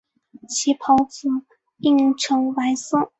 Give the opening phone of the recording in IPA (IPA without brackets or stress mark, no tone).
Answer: t͡ɕʰ